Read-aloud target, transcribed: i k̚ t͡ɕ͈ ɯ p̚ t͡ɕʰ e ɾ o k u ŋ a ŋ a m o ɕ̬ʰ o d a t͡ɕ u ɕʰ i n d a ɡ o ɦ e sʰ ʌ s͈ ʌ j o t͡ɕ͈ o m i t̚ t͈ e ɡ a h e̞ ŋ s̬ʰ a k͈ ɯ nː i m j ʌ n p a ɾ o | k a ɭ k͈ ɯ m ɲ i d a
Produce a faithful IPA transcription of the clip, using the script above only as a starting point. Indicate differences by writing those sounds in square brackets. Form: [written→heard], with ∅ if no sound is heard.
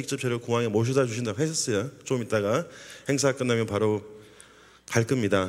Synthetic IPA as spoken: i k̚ t͡ɕ͈ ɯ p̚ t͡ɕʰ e ɾ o k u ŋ a ŋ [a→e] m o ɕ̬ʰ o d a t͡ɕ u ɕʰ i n d a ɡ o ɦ e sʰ ʌ s͈ ʌ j o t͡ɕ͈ o m i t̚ t͈ [e→a] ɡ a h e̞ ŋ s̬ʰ a k͈ ɯ nː [i→a] m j ʌ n p a ɾ o | k a ɭ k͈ ɯ m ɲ i d a